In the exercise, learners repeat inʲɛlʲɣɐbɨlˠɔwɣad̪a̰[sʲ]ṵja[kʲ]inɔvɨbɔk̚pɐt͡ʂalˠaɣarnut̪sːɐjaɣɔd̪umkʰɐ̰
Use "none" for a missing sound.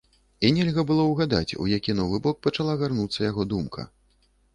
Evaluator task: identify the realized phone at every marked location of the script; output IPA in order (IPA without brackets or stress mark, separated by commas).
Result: t͡sʲ, kʲ